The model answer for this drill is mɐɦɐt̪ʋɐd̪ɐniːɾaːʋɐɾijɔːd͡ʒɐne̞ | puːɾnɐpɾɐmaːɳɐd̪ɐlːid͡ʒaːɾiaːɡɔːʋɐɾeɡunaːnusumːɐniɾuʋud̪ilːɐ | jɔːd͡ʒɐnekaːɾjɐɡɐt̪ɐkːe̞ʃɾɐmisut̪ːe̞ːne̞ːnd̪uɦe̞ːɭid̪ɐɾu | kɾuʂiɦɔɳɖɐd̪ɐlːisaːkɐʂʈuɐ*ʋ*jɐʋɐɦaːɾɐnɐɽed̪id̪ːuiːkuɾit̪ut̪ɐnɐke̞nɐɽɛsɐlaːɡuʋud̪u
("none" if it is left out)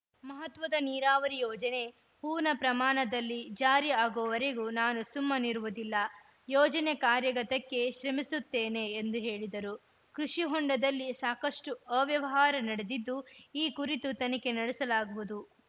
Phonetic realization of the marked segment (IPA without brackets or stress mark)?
ʋ